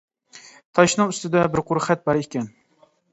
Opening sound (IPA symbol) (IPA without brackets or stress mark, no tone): t̪ʰ